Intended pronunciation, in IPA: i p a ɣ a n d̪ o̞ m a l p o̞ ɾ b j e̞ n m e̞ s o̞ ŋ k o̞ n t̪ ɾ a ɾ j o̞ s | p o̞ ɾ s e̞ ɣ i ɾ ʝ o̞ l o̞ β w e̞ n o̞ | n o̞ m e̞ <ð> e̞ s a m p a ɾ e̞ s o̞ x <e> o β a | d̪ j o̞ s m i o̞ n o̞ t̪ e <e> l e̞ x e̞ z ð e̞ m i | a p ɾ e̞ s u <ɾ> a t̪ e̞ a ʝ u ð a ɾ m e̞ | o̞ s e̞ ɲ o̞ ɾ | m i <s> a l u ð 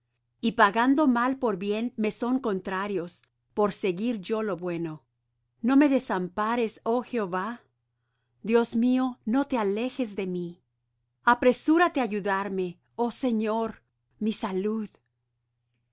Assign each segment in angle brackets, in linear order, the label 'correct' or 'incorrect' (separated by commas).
correct, correct, incorrect, correct, correct